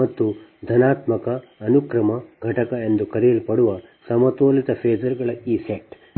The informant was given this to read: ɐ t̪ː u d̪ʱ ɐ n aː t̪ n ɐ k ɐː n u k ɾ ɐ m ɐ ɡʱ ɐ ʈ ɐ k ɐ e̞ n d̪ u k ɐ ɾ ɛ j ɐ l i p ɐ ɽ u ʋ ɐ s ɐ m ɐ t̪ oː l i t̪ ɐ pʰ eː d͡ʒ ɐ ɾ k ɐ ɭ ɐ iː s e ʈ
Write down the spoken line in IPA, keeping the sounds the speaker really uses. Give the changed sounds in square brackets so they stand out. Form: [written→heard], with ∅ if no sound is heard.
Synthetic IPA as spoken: ɐ t̪ː u d̪ʱ ɐ n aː t̪ [n→m] ɐ k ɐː n u k ɾ ɐ m ɐ ɡʱ ɐ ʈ ɐ k ɐ e̞ n d̪ u k ɐ ɾ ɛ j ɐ l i p ɐ ɽ u ʋ ɐ s ɐ m ɐ t̪ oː l i t̪ ɐ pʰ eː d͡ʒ ɐ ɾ [k→ɡ] ɐ ɭ ɐ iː s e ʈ